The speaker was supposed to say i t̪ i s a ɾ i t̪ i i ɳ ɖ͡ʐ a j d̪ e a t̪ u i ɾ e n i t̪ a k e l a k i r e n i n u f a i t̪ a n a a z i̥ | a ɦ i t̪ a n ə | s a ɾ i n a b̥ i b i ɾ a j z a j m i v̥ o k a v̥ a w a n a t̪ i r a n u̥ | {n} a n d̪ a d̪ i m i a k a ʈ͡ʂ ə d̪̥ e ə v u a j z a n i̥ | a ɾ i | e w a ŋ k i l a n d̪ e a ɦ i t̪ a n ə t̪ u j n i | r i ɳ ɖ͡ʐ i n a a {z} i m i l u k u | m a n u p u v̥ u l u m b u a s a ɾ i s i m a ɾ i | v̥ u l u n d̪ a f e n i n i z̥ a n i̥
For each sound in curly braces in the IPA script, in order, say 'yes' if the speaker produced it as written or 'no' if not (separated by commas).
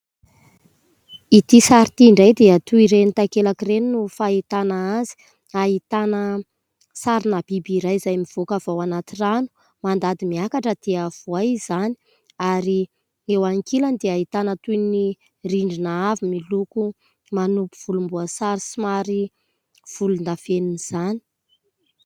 no, no